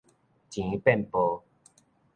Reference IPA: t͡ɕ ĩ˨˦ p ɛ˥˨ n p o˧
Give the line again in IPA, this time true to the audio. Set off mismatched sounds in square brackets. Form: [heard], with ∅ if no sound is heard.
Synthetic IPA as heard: t͡ɕ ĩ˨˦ p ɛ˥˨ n p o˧